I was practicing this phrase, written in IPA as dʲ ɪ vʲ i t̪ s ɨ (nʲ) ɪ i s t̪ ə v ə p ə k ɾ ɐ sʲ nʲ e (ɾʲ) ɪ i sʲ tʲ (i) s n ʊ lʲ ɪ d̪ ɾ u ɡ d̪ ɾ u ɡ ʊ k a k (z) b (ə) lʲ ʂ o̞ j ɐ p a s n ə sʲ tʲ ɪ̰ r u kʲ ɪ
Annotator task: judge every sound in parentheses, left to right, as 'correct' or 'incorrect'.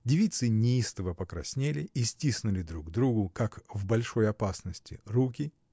correct, incorrect: lʲ, correct, incorrect: v, incorrect: ɐ

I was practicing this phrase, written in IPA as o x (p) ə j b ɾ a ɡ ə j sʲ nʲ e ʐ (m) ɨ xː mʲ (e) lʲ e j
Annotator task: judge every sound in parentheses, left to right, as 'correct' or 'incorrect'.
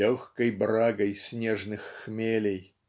incorrect: k, incorrect: n, correct

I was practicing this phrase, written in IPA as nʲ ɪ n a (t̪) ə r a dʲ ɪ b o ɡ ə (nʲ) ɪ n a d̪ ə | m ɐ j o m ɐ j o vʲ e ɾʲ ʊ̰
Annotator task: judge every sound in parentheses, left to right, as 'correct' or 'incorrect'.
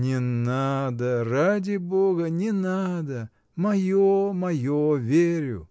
incorrect: d̪, correct

